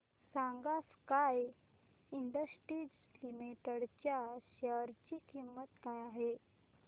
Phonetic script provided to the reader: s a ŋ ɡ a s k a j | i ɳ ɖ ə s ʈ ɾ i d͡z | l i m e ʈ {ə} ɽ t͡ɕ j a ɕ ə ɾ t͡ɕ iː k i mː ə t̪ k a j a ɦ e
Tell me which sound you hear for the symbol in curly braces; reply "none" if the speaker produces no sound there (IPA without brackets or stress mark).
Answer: ə